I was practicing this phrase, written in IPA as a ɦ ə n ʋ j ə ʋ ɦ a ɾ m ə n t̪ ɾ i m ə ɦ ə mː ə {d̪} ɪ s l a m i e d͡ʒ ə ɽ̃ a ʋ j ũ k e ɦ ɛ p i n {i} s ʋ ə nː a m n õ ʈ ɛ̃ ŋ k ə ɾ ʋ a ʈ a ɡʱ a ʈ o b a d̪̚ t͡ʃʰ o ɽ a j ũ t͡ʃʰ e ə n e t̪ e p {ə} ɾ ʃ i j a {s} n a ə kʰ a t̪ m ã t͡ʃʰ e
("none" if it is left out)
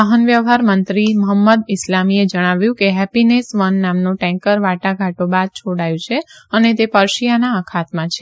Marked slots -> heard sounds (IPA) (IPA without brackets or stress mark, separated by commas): d̪, e, ə, none